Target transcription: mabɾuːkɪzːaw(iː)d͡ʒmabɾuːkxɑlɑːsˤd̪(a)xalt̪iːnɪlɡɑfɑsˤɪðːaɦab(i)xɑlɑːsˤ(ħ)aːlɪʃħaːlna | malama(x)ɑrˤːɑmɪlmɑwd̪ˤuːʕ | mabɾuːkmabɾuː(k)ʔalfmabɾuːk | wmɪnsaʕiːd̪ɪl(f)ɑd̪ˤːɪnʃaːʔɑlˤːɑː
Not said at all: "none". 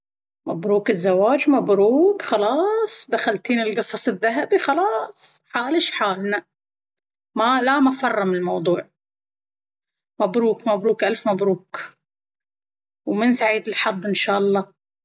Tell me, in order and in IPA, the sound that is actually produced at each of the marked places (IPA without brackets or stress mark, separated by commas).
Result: aː, a, i, ħ, f, k, ħ